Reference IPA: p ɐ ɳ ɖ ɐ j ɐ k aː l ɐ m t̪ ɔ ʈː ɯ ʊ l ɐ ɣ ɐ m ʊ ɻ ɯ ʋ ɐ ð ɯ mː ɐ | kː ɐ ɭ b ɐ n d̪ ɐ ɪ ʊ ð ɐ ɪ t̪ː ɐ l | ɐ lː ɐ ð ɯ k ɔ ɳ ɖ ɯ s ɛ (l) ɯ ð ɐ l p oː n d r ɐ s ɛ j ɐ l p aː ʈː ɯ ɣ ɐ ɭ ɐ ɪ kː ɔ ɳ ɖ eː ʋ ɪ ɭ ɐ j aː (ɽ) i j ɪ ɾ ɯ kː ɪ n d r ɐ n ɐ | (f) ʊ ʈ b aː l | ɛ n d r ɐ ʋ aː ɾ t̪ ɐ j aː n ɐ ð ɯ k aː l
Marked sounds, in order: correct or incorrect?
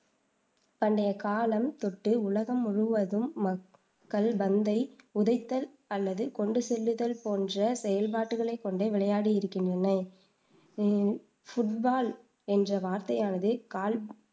incorrect: lː, correct, correct

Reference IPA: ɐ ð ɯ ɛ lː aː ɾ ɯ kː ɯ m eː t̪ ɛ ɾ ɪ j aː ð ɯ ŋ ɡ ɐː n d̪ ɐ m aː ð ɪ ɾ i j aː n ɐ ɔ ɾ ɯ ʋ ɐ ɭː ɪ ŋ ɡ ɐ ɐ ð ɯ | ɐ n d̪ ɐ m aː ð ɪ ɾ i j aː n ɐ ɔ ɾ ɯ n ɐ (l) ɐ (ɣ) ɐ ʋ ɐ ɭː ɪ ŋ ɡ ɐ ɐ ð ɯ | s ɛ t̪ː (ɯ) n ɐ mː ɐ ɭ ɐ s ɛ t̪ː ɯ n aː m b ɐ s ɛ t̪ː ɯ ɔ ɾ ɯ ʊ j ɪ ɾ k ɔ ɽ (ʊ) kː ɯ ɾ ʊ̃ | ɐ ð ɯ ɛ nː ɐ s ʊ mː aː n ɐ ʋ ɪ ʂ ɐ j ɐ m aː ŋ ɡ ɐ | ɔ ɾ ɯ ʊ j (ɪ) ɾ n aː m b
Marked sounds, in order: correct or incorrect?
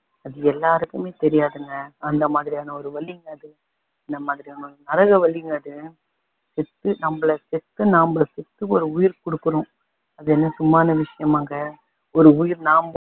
incorrect: ɾ, correct, correct, incorrect: ɯ, correct

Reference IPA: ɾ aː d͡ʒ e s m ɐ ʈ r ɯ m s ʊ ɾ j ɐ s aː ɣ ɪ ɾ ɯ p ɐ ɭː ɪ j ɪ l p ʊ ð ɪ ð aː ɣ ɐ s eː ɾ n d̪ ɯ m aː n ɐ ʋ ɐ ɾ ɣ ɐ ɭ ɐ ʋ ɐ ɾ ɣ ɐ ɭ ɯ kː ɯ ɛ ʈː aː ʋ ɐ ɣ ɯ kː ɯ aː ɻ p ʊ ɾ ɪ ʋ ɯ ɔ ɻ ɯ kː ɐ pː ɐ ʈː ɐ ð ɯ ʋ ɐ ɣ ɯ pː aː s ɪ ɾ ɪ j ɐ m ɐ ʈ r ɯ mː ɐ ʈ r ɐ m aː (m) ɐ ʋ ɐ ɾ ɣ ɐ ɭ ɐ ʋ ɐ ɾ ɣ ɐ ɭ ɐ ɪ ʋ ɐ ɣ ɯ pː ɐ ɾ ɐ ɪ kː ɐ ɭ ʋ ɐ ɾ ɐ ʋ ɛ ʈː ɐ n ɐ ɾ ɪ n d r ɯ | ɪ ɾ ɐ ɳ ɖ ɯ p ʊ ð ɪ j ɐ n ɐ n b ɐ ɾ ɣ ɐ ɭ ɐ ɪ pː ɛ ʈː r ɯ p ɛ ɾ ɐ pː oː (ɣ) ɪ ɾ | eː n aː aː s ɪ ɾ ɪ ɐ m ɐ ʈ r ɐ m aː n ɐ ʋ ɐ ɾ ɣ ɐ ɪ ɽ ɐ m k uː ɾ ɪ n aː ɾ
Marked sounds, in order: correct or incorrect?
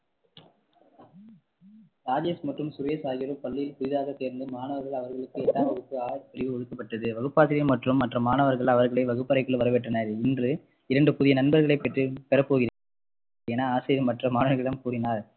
incorrect: n, correct

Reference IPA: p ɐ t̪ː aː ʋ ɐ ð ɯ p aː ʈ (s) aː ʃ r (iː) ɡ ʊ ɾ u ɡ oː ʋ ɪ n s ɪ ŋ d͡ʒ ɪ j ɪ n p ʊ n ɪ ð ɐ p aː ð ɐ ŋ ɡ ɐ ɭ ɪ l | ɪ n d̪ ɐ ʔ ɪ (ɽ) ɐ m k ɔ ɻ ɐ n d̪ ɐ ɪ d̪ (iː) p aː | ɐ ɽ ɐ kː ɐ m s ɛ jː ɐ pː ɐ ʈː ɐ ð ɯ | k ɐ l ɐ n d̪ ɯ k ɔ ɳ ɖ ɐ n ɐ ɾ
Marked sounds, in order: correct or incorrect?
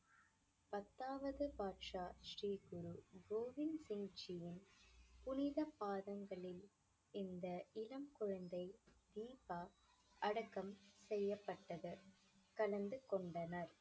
incorrect: ʂ, correct, incorrect: l, correct

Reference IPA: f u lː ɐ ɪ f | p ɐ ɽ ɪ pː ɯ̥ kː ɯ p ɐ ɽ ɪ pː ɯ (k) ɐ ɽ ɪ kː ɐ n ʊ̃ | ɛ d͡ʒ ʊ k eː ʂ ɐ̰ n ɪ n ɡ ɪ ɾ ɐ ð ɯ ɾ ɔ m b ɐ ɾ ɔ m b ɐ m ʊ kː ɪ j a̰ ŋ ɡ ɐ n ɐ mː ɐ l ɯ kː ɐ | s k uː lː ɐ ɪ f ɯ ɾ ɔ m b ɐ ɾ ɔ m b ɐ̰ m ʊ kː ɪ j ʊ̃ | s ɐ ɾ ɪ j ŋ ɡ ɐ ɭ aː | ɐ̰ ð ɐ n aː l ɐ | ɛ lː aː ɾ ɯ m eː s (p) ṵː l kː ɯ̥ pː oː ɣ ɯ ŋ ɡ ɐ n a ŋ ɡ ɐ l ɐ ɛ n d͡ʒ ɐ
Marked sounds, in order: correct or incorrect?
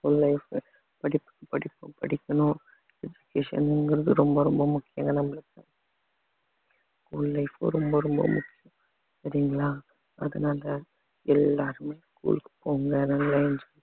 incorrect: p, incorrect: k

